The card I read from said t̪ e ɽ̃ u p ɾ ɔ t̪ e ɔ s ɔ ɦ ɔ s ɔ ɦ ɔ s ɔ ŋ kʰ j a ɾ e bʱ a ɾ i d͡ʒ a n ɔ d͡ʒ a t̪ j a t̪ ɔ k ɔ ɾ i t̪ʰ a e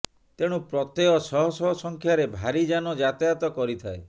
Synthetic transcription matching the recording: t̪ e ɽ̃ u p ɾ ɔ t̪ e ɔ s ɔ ɦ ɔ s ɔ ɦ ɔ s ɔ ŋ kʰ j a ɾ e bʱ a ɾ i d͡ʒ a n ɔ d͡ʒ a t̪ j a t̪ ɔ k ɔ ɾ i t̪ʰ a e